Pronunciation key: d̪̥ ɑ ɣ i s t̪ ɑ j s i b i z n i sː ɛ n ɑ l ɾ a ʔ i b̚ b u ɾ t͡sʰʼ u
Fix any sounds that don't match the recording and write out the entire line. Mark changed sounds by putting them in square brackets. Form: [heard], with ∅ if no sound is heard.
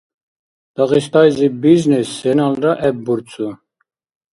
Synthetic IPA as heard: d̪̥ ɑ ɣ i s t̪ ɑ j [z] i b i z n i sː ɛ n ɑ l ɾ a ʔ [ɛ] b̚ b u ɾ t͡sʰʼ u